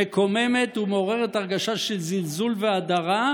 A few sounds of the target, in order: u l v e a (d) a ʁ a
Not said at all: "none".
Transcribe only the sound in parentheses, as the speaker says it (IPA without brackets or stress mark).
d